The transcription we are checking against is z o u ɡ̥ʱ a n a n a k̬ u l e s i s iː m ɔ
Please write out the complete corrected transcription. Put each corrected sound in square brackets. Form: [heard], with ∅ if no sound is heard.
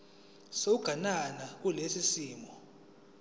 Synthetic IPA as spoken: [s] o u ɡ̥ʱ a n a n a k̬ u l e s i s iː m ɔ